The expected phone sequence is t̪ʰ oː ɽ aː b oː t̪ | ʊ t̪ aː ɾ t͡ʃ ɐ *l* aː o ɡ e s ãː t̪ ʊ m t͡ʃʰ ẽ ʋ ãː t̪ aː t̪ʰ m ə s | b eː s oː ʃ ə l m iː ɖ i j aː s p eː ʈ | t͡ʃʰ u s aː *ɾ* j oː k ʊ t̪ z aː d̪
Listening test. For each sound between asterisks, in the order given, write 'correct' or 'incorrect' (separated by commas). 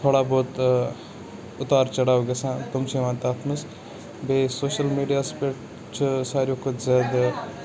incorrect, correct